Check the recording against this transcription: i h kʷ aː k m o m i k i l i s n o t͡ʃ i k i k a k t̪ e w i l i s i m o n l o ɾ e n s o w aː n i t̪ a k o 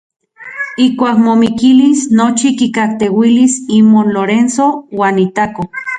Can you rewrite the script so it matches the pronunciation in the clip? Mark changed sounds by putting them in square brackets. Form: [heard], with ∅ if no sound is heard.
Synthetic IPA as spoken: i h kʷ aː k m o m i k i l i s n o t͡ʃ i k i k a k t̪ e w i l i s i m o n l o ɾ e n s o w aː n i t̪ a k o